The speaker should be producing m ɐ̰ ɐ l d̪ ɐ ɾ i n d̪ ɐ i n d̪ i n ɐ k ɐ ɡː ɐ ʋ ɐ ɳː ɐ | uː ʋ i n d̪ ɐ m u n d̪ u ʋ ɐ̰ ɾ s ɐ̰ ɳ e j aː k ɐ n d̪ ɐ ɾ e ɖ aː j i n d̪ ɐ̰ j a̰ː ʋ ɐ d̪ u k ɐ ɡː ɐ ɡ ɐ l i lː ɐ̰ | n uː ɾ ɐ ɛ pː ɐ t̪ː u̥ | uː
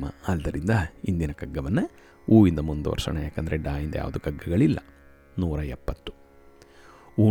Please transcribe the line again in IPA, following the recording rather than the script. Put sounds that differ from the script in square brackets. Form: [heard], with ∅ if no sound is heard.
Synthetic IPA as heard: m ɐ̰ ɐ l d̪ ɐ ɾ i n d̪ ɐ i n d̪ i n ɐ k ɐ ɡː ɐ ʋ ɐ [nː] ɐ | uː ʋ i n d̪ ɐ m u n d̪ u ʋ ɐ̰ ɾ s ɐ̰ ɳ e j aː k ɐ n d̪ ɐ ɾ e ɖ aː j i n d̪ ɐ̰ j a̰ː ʋ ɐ d̪ u k ɐ ɡː ɐ ɡ ɐ [ɭ] i lː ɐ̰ | n uː ɾ ɐ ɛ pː ɐ t̪ː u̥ | uː